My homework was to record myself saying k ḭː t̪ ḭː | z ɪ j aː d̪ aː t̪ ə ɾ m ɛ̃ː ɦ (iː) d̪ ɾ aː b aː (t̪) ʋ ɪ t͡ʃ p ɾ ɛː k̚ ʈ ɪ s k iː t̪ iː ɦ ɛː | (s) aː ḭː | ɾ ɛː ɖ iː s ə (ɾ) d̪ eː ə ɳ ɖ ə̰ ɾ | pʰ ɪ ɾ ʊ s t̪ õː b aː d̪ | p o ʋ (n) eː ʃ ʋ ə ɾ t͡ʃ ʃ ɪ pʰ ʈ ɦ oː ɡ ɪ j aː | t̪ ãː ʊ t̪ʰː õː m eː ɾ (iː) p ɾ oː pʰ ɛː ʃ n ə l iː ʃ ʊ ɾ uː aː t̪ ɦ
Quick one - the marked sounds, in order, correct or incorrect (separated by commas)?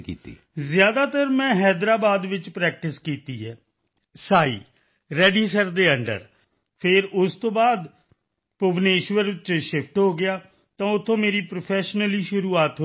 incorrect, incorrect, correct, correct, correct, correct